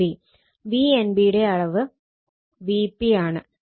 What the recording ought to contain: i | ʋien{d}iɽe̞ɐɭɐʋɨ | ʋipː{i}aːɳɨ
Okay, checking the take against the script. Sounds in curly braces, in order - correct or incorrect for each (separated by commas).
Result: incorrect, correct